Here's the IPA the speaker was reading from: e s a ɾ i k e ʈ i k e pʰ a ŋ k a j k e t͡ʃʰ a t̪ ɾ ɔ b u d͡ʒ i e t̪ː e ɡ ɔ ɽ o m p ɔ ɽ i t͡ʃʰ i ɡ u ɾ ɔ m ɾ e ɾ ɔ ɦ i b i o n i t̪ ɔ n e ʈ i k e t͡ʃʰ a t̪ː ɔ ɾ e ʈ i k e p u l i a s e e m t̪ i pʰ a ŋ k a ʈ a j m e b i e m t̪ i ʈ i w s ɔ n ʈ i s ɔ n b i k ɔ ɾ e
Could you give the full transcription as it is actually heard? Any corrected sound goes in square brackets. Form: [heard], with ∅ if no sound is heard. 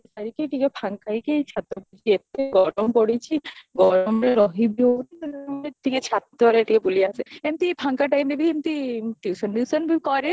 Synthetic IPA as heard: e s a ɾ i k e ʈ i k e pʰ a ŋ k a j k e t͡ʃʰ a t̪ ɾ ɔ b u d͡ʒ i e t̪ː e ɡ ɔ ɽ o m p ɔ ɽ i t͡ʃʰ i ɡ [ɔ] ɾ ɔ m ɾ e ɾ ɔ ɦ i b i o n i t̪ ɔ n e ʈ i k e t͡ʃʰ a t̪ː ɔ ɾ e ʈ i k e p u l i a s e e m t̪ i pʰ a ŋ k a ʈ a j m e b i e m t̪ i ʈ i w s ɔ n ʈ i s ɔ n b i k ɔ ɾ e

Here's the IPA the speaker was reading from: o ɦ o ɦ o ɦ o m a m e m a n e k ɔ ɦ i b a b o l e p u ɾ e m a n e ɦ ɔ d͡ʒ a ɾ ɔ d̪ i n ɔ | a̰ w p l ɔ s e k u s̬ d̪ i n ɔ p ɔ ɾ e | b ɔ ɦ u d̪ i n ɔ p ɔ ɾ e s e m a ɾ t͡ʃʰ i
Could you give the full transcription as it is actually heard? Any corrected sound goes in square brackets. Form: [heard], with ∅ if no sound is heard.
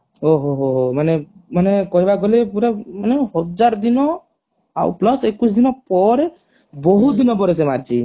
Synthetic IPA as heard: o ɦ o ɦ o ɦ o m a [n] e m a n e k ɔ ɦ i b a [ɡ] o l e p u ɾ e m a n e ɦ ɔ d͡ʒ a ɾ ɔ d̪ i n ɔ | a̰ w p l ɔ s e k u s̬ d̪ i n ɔ p ɔ ɾ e | b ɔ ɦ u d̪ i n ɔ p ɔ ɾ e s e m a ɾ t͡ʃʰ i

